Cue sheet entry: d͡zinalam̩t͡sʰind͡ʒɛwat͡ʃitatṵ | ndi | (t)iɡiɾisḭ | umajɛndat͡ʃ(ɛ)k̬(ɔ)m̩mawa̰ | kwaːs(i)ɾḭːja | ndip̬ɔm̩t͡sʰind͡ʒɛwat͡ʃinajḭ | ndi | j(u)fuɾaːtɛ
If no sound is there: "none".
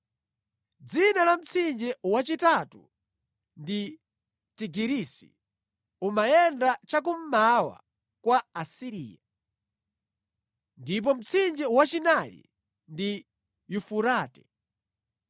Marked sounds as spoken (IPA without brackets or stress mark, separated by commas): t, a, u, i, u